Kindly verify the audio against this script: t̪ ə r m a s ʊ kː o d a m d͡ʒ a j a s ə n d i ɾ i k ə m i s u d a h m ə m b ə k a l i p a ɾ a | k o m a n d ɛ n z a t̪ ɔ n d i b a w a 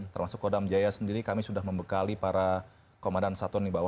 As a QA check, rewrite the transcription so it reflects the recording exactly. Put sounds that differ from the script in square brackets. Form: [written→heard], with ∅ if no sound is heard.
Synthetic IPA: t̪ ə r m a s ʊ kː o d a m d͡ʒ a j a s ə n d i ɾ i k [ə→a] m i s u d a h m ə m b ə k a l i p a ɾ a | k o m a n d [ɛ→a] n [z→s] a t̪ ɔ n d i b a w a